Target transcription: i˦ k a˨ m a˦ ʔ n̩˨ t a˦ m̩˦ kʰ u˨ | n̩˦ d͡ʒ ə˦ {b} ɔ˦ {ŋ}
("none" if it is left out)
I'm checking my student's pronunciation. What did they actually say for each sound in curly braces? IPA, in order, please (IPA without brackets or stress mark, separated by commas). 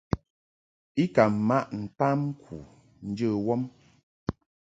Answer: w, m